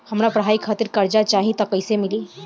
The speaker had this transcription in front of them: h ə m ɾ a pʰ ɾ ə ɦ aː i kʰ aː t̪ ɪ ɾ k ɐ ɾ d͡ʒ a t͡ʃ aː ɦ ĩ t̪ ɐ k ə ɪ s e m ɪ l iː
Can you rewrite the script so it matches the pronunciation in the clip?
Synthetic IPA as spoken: h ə m ɾ a p ɾ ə ɦ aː i kʰ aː t̪ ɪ ɾ k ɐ ɾ d͡ʒ a t͡ʃ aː ɦ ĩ t̪ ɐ k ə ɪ s e m ɪ l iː